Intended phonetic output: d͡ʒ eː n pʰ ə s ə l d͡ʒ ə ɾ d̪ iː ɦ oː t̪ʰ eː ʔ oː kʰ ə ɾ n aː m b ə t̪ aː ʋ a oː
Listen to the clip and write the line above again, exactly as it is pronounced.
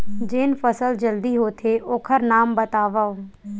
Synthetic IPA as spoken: d͡ʒ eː n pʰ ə s ə l d͡ʒ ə l d̪ iː ɦ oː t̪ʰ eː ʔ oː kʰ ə ɾ n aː m b ə t̪ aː ʋ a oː